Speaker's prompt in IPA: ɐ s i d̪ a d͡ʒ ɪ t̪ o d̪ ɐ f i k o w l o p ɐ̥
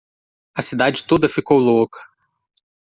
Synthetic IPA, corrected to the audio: ɐ s i d̪ a d͡ʒ ɪ t̪ o d̪ ɐ f i k o w l o k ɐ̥